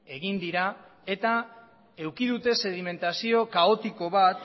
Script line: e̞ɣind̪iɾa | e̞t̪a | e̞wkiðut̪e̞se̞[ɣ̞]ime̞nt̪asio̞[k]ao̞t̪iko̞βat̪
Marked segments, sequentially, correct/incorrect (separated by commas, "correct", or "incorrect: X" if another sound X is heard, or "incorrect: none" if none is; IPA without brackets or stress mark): incorrect: ð̞, correct